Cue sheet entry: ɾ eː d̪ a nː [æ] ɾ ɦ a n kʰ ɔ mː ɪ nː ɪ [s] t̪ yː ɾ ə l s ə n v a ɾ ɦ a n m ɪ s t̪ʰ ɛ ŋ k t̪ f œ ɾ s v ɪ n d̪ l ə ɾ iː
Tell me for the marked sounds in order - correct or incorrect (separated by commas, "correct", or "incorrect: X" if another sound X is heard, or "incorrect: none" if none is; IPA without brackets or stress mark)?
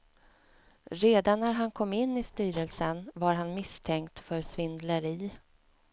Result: correct, correct